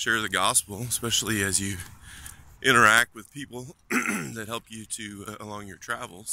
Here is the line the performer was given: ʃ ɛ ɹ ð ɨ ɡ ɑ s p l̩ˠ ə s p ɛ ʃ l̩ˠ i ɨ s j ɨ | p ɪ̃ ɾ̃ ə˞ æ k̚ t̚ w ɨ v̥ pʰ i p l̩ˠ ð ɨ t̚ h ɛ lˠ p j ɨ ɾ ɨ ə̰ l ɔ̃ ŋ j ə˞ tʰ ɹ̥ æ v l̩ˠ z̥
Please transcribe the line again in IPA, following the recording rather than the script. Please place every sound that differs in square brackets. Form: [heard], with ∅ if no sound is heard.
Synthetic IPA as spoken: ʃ ɛ ɹ ð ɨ ɡ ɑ s p l̩ˠ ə s p ɛ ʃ l̩ˠ i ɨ [z] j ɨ | [ʔ] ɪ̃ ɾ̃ ə˞ æ k̚ t̚ w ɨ [ð̥] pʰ i p l̩ˠ ð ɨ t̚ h ɛ lˠ p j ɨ ɾ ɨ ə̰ l ɔ̃ ŋ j ə˞ tʰ ɹ̥ æ v l̩ˠ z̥